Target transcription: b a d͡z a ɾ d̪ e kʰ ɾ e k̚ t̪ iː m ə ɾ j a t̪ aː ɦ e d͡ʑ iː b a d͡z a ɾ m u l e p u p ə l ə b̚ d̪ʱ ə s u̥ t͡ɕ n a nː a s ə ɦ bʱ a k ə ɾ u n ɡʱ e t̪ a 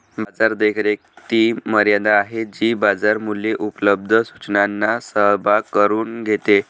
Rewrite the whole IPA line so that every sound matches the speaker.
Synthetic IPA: b a d͡z a ɾ d̪ e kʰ ɾ e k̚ t̪ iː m ə ɾ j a d̪ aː ɦ e d͡ʑ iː b a d͡z a ɾ m u l e ʔ u p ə l ə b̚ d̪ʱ ə s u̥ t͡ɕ n a nː a s ə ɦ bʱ a k ə ɾ uː n ɡʱ e t̪ e

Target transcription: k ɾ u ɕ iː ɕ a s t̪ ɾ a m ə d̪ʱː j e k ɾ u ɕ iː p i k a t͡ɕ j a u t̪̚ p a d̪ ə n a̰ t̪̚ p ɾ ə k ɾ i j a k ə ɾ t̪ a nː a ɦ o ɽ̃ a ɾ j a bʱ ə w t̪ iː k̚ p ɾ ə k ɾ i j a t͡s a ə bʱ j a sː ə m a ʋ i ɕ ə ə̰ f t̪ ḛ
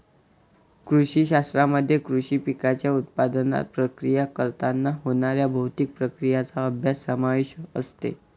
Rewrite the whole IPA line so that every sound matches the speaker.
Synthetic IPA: k ɾ u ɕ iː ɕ a s t̪ ɾ a m ə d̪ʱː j e k ɾ u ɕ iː p i k a t͡ɕ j a u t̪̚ p a d̪ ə n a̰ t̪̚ p ɾ ə k ɾ i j a k ə ɾ t̪ a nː a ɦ o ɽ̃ a ɾ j a bʱ ə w t̪ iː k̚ p ɾ ə k ɾ i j a t͡s a ə bʱ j a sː ə m a ʋ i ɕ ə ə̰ s t̪ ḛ

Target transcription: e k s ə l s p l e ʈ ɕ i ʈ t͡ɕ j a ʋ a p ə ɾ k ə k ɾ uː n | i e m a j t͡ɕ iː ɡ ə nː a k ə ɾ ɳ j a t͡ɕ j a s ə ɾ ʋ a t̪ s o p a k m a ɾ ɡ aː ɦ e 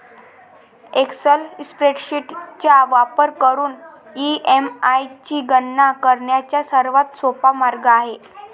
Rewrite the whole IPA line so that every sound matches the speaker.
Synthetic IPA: e k s ə l s p ɾ e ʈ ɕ i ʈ t͡ɕ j a ʋ a p ə ɾ k ə ɾ uː n | i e m a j t͡ɕ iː ɡ ə nː a k ə ɾ ɳ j a t͡ɕ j a s ə ɾ ʋ a t̪ s o p a m a ɾ ɡ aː ɦ e

